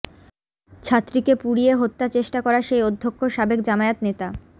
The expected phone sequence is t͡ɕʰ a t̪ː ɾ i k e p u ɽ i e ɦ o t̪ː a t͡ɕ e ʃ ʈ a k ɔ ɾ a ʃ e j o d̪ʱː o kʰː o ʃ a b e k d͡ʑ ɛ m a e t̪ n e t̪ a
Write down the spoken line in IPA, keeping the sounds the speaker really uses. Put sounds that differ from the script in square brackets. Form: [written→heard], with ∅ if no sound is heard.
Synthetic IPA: t͡ɕʰ a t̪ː ɾ i k e p u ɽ i e ɦ o t̪ː a t͡ɕ e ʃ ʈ a k ɔ ɾ a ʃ e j o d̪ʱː o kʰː o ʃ a b e k d͡ʑ [ɛ→a] m a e t̪ n e t̪ a